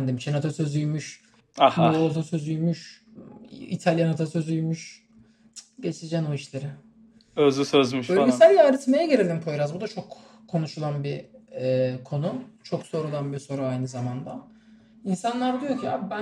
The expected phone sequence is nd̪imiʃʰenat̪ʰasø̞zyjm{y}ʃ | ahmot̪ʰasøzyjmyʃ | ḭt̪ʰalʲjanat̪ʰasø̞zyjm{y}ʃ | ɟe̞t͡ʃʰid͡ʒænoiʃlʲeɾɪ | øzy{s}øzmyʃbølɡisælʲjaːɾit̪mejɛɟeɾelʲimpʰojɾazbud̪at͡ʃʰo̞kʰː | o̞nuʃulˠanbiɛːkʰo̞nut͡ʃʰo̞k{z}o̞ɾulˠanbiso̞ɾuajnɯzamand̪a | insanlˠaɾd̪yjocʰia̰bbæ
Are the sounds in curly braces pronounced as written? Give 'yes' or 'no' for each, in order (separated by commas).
yes, yes, yes, no